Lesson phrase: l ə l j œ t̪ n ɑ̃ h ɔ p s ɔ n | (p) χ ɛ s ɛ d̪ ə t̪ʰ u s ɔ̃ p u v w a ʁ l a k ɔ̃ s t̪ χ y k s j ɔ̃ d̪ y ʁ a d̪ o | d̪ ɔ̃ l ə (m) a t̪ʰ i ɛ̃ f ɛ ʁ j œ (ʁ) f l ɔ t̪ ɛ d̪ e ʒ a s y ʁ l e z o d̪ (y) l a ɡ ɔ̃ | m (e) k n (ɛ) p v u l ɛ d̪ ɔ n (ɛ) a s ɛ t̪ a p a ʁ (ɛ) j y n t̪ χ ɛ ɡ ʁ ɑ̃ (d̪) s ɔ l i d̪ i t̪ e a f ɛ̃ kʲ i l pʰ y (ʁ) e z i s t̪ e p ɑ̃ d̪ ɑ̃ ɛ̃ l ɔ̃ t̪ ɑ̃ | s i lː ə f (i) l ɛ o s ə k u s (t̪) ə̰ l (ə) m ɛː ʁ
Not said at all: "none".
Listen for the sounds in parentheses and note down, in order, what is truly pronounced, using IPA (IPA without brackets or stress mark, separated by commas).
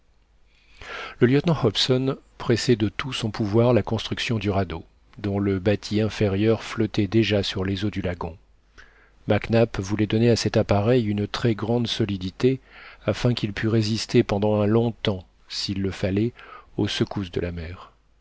p, b, ʁ, y, a, a, e, ɛ, d̪, ʁ, a, d̪, a